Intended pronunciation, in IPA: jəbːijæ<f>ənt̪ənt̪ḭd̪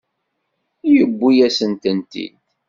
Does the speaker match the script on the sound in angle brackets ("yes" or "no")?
no